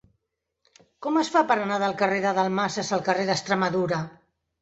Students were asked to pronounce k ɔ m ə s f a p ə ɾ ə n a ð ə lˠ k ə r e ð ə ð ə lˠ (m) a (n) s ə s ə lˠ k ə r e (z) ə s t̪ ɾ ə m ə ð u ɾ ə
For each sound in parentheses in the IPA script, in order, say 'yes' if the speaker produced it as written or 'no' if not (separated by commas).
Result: yes, no, no